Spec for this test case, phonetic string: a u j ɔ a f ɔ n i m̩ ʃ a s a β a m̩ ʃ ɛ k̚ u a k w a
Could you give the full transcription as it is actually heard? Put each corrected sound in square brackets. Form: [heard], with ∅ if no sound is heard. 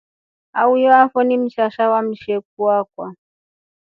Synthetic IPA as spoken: a u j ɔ a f ɔ n i m̩ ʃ a [ʃ] a [w] a m̩ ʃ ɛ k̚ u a k w a